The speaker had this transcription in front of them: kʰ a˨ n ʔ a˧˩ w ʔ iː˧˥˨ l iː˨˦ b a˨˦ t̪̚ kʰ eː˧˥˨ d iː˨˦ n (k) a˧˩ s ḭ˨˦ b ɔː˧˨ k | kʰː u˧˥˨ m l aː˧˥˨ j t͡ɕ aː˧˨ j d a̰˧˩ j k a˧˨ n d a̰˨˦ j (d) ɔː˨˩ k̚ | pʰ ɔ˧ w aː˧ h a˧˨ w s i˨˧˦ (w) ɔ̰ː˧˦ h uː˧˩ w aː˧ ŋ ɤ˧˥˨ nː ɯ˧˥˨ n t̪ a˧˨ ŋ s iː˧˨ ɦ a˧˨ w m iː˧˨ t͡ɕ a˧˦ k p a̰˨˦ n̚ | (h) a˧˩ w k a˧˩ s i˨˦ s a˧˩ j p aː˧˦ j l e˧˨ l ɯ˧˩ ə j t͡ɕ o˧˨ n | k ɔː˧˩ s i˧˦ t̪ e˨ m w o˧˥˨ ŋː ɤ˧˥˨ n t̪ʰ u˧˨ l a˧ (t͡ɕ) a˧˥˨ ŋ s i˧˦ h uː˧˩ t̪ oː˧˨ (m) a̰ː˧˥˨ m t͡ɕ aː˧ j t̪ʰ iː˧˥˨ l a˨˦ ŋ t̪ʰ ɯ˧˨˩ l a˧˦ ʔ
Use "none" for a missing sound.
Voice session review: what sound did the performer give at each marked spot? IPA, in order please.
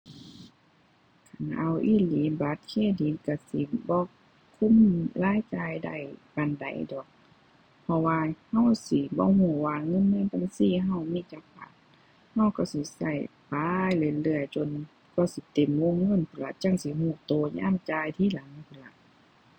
k, d, b, h, t͡ɕ, ɲ

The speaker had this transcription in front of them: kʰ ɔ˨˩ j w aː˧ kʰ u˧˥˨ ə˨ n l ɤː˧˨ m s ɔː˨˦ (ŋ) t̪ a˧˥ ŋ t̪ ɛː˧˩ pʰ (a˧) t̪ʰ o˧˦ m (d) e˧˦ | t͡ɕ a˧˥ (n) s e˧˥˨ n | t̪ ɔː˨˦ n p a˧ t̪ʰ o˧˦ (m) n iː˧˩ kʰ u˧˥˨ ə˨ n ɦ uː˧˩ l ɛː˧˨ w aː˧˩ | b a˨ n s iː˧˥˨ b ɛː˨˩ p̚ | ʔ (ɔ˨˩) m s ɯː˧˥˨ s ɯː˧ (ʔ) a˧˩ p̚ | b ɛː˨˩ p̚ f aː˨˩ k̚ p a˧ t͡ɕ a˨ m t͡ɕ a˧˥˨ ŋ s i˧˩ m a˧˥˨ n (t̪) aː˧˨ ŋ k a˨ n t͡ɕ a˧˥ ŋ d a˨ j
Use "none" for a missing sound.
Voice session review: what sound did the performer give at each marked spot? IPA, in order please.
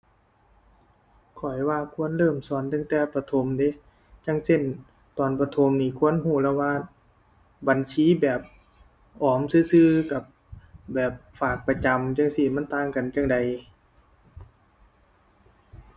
n, a˧, d, ŋ, m, ɔː˨˩, k, t̪

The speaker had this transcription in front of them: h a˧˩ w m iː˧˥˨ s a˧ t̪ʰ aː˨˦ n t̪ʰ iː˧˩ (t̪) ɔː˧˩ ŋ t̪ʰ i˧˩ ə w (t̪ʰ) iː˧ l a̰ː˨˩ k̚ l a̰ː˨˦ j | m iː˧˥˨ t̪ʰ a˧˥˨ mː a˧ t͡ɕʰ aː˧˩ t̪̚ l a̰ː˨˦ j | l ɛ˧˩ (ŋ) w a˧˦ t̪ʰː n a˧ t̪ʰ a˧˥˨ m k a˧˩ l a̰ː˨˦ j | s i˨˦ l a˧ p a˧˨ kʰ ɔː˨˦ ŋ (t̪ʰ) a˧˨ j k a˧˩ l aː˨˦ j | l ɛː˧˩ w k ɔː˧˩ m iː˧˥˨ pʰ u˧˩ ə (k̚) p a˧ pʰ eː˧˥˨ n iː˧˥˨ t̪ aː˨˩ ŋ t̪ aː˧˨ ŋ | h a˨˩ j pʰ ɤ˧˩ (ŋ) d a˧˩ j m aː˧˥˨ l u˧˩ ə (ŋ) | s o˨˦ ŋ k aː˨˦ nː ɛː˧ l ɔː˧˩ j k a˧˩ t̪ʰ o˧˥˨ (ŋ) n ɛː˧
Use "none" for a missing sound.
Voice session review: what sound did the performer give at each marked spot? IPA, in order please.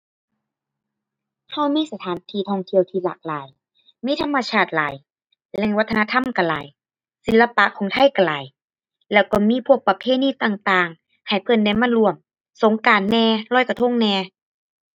t̪ʰ, t̪ʰ, ŋ, t̪ʰ, k̚, n, m, ŋ

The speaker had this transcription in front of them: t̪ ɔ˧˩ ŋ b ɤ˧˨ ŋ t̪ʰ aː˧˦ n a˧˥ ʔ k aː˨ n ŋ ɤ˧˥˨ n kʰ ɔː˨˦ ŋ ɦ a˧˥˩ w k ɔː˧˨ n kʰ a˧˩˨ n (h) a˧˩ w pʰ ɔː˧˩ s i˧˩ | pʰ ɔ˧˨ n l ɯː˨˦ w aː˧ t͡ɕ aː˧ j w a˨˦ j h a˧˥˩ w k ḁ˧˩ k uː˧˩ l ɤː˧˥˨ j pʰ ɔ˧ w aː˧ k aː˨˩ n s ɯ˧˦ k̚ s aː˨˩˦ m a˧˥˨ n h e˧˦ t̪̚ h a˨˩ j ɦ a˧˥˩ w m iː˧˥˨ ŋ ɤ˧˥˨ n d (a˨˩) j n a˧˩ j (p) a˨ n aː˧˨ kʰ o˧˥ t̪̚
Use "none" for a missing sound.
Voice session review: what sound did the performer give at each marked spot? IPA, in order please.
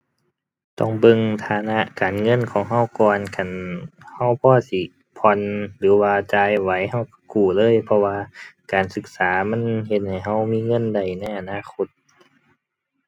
h, a˨˩, ʔ

